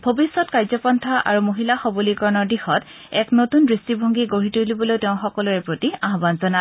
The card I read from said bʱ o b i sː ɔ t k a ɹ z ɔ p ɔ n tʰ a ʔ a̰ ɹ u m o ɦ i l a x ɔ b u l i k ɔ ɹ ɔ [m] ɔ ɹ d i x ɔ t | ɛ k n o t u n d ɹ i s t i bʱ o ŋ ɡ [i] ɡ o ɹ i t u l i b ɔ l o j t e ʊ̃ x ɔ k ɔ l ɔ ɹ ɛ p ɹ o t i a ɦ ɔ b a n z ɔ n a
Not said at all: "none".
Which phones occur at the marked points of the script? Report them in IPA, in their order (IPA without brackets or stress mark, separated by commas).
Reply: n, i